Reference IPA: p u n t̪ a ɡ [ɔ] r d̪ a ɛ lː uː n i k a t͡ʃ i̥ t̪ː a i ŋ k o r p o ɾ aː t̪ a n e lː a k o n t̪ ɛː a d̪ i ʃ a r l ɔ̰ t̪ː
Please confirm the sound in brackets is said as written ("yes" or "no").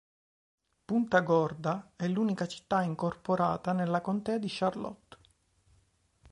yes